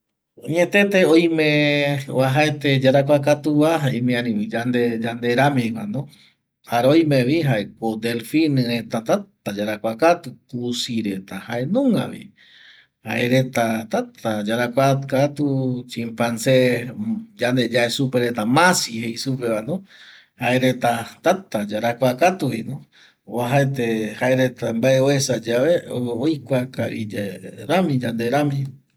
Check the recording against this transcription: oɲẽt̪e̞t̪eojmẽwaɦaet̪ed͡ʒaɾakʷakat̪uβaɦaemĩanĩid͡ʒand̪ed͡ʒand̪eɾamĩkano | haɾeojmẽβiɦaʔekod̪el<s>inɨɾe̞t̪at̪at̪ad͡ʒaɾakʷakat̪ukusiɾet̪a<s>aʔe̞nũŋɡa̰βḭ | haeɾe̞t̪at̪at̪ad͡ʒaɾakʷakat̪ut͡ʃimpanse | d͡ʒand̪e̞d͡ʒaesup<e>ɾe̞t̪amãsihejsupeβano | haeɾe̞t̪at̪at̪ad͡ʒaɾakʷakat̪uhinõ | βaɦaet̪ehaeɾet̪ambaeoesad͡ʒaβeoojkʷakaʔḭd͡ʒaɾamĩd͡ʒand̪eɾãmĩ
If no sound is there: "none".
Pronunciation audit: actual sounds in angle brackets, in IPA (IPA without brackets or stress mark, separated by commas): f, h, e